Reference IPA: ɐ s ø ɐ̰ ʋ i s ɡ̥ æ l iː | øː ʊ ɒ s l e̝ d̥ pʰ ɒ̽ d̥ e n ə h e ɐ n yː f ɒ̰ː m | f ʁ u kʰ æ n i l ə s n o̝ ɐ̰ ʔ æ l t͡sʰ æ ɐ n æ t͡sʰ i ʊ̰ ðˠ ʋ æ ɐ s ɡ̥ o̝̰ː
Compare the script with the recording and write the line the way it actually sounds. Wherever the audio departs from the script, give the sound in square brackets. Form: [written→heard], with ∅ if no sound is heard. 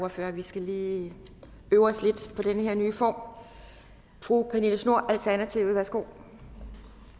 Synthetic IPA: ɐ [s→f] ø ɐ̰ ʋ i s ɡ̥ æ l iː | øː ʊ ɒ s l e̝ d̥ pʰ ɒ̽ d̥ e n ə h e ɐ n yː f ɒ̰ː m | f ʁ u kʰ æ n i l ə s n o̝ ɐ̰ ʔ æ l t͡sʰ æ ɐ n æ t͡sʰ i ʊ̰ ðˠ ʋ æ ɐ s ɡ̥ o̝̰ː